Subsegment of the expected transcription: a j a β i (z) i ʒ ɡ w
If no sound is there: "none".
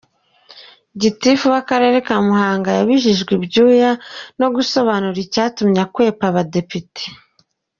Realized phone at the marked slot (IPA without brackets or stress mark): ʒ